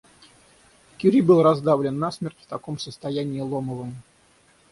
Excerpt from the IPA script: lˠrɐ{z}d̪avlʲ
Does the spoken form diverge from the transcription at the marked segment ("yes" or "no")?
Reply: no